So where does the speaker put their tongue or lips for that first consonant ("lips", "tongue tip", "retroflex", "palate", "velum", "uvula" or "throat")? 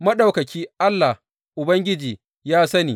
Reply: lips